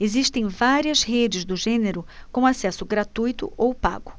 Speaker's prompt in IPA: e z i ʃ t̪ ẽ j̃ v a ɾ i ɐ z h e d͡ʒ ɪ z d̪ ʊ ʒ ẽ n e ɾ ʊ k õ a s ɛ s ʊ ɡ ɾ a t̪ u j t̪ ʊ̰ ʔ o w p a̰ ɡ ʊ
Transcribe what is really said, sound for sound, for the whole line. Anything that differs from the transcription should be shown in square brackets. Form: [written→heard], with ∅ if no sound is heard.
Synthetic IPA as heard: e z i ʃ t̪ ẽ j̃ v a ɾ i ɐ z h e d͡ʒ ɪ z d̪ ʊ ʒ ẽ n e ɾ ʊ k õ a s ɛ s ʊ ɡ ɾ a t̪ u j t̪ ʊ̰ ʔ o w p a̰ ɡ ʊ